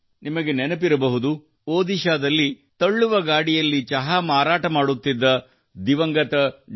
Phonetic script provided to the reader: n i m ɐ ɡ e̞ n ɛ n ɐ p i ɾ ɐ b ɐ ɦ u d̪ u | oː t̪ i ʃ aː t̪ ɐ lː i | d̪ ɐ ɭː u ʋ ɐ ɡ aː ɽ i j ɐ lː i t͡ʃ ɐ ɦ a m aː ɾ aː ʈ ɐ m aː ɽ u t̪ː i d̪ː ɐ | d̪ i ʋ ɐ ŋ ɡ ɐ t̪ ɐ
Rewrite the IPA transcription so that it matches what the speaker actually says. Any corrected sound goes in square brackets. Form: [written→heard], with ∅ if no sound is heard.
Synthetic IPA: n i m ɐ ɡ e̞ n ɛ n ɐ p i ɾ ɐ b ɐ ɦ u d̪ u | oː [t̪→d̪] i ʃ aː [t̪→d̪] ɐ lː i | [d̪→t̪] ɐ ɭː u ʋ ɐ ɡ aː ɽ i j ɐ lː i t͡ʃ ɐ ɦ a m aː ɾ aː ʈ ɐ m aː ɽ u t̪ː i d̪ː ɐ | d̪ i ʋ ɐ ŋ ɡ ɐ t̪ ɐ